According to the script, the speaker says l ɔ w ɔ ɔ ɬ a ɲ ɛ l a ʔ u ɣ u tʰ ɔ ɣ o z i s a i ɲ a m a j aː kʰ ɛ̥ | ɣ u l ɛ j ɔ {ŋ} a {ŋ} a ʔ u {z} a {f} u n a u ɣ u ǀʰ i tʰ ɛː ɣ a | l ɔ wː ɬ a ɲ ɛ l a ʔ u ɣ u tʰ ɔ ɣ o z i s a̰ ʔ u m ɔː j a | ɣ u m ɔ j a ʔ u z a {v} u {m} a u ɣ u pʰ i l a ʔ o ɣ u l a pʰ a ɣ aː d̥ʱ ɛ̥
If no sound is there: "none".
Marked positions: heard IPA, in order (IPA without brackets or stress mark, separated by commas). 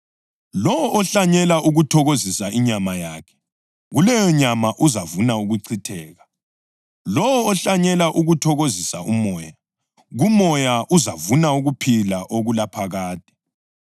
ɲ, m, z, v, v, n